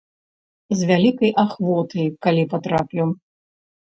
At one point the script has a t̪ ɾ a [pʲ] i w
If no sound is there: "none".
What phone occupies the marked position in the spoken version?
pʲ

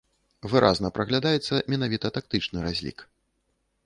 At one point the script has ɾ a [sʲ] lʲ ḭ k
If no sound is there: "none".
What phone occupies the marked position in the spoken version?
zʲ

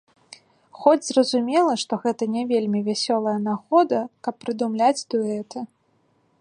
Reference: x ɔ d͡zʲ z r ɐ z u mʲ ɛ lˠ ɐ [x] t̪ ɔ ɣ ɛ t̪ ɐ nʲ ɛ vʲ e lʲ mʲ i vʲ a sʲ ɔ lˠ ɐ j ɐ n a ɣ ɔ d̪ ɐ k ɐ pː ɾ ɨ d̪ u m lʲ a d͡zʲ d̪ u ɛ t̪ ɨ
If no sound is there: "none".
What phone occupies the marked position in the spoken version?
ʂ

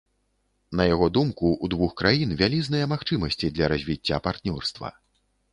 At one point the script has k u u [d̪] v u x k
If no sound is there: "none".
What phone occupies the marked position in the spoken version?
d̪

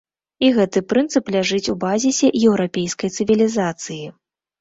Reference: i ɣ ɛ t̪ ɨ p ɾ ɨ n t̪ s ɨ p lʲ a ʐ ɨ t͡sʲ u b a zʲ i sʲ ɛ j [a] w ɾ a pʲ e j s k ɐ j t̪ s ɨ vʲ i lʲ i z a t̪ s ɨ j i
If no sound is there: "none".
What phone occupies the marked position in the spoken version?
ɛ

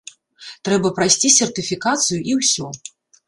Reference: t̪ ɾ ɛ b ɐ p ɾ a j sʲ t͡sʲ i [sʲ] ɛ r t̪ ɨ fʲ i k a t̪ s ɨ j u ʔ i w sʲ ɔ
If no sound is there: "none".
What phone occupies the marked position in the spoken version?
sʲ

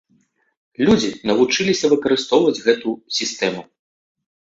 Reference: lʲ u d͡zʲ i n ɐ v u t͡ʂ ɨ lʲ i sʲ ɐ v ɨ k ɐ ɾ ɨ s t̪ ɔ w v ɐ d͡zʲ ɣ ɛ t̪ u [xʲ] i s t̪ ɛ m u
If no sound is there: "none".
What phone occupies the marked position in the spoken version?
sʲ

